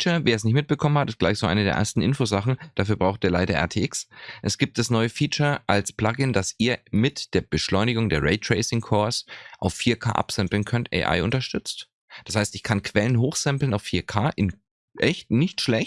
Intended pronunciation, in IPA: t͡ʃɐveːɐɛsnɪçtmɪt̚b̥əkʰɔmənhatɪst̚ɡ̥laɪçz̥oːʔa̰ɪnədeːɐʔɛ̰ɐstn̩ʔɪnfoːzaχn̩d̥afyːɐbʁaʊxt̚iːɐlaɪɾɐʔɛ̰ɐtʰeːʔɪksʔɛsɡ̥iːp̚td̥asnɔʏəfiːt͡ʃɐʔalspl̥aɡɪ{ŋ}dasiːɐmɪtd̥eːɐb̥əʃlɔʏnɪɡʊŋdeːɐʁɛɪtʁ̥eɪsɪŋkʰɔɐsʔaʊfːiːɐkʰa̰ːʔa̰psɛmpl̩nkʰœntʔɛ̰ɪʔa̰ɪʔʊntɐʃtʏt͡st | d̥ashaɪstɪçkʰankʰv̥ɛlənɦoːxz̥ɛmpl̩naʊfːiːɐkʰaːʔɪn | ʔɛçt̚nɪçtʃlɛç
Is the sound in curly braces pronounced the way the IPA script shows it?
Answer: no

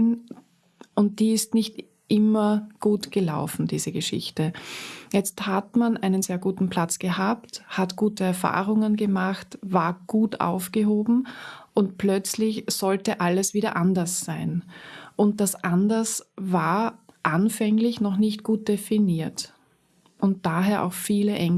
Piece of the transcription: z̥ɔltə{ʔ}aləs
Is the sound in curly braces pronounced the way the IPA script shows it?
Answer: yes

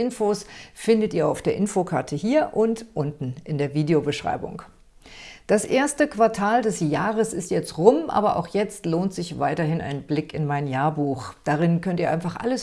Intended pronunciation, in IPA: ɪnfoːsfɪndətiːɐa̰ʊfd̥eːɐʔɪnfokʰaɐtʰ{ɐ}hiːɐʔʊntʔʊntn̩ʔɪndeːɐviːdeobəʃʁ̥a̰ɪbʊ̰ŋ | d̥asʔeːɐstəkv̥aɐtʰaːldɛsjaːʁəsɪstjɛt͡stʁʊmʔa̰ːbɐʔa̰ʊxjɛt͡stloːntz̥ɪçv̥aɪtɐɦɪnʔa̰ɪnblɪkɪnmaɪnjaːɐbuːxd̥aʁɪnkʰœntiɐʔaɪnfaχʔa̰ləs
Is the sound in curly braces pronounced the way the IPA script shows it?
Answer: no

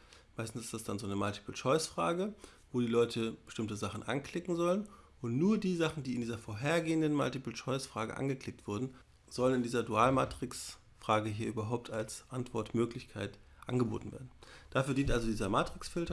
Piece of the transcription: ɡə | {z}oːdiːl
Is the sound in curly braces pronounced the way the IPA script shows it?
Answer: no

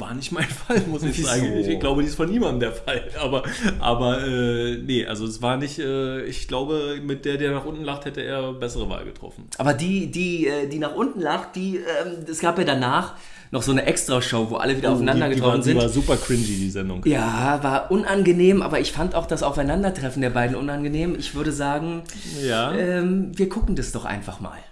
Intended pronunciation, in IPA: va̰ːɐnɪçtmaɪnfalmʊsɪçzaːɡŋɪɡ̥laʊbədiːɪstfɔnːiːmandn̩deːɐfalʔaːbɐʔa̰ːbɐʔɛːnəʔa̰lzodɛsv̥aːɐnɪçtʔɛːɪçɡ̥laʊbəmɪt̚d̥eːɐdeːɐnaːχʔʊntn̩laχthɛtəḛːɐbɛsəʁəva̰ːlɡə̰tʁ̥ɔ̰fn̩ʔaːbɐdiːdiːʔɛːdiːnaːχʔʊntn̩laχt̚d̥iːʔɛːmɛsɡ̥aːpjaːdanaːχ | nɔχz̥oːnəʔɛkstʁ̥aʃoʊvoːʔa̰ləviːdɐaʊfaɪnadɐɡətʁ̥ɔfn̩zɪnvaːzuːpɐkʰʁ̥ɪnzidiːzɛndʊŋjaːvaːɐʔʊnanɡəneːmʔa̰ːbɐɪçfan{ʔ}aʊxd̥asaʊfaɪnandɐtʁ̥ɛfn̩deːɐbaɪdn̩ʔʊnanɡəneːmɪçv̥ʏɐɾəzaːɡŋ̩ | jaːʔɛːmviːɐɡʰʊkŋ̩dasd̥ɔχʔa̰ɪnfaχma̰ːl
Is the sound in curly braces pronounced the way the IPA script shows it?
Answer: no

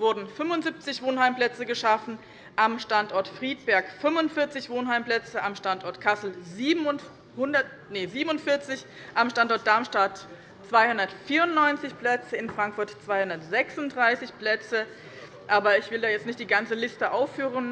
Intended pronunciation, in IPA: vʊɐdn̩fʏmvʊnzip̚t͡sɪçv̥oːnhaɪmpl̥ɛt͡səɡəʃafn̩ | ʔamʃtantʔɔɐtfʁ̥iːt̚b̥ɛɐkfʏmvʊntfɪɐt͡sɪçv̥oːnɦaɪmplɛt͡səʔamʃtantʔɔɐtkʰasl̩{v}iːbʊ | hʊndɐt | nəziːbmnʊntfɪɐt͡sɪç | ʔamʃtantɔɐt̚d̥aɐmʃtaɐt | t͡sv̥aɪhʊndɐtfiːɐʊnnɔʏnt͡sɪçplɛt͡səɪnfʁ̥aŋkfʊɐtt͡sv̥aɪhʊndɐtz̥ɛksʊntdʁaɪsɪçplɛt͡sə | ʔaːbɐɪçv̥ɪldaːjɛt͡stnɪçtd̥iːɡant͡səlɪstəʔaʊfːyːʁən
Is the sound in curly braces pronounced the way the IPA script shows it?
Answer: no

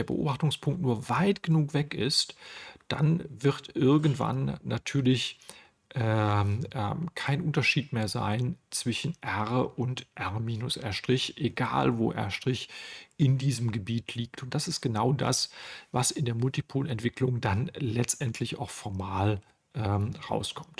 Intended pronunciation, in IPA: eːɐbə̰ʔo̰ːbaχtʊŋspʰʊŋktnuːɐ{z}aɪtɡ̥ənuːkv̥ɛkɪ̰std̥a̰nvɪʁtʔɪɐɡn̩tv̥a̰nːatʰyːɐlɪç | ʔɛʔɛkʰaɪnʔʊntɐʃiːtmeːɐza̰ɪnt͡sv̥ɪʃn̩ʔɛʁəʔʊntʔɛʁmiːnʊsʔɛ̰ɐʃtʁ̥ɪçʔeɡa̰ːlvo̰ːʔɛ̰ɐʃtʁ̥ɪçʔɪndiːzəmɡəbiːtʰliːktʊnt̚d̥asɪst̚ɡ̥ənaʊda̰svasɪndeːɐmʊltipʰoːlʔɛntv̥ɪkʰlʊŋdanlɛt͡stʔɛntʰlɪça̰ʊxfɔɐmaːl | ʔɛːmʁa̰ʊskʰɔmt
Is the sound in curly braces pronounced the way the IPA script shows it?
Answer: no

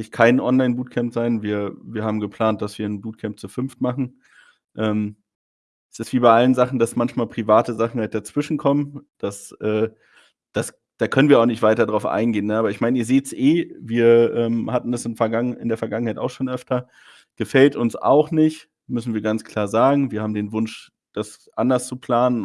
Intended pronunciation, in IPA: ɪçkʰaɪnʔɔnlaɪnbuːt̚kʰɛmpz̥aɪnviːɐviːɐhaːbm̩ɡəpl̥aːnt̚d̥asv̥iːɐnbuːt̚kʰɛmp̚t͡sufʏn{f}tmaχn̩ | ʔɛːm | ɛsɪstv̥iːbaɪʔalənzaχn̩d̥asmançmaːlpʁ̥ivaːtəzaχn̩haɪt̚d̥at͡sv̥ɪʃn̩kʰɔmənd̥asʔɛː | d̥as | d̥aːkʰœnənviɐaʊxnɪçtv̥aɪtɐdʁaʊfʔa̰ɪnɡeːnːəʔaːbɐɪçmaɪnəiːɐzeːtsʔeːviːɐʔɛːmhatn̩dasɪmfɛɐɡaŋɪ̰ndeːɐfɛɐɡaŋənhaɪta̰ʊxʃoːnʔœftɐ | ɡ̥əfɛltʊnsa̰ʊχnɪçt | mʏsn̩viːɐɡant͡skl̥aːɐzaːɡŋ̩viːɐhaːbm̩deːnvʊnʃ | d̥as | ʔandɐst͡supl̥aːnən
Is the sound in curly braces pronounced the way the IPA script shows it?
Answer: yes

